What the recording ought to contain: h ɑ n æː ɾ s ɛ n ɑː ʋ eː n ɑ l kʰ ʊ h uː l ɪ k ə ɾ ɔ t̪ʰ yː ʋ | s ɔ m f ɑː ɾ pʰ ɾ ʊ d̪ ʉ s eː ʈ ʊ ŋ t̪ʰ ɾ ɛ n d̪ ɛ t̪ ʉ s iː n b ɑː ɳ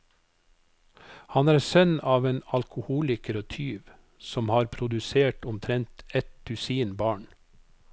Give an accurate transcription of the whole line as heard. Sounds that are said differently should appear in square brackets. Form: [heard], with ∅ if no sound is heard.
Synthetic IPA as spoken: h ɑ n æː ɾ s [œ] n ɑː ʋ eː n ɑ l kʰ ʊ h uː l ɪ k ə ɾ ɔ t̪ʰ yː ʋ | s ɔ m [h] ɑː ɾ pʰ ɾ ʊ d̪ ʉ s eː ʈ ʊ [m] t̪ʰ ɾ ɛ n [t̪] ɛ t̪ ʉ s iː n b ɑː ɳ